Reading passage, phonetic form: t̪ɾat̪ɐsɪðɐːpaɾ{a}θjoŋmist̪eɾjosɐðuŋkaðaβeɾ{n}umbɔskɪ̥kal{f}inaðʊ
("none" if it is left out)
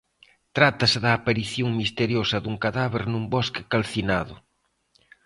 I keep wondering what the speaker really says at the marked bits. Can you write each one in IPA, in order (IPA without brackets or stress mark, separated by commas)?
i, n, θ